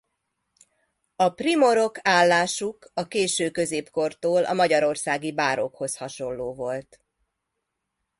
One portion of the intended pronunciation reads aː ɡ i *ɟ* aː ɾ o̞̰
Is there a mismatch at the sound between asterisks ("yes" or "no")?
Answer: yes